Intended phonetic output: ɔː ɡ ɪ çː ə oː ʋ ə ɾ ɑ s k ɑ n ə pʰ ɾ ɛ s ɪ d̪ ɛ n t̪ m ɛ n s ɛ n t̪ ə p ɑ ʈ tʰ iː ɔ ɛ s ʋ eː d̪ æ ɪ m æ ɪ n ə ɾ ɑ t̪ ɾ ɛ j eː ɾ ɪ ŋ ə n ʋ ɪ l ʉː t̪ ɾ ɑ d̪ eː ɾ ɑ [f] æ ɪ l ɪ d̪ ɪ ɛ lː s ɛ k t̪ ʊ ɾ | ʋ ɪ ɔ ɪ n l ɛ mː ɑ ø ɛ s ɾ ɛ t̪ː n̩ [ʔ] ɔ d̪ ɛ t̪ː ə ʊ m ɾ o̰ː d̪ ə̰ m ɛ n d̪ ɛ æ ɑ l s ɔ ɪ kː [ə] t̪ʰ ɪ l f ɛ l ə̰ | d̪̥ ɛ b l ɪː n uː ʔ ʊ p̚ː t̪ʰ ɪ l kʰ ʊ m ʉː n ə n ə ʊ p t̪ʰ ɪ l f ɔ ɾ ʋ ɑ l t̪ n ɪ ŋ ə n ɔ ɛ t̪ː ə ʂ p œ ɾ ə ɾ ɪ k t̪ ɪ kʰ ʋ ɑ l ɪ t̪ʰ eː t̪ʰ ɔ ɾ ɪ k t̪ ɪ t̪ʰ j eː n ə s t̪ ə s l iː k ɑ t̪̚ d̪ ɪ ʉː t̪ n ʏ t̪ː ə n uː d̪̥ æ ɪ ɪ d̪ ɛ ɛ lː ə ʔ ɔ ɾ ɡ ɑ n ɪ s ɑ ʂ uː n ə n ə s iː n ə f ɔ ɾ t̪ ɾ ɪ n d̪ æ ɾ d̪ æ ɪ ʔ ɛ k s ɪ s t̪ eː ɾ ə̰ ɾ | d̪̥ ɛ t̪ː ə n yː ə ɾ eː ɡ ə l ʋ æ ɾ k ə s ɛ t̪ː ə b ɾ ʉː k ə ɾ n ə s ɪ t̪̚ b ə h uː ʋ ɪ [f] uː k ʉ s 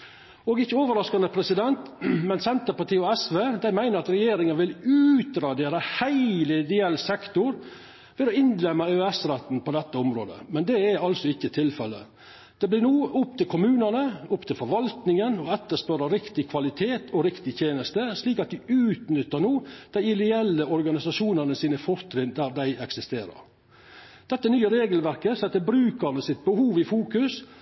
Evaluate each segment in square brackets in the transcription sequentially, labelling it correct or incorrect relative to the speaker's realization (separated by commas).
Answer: incorrect, incorrect, correct, correct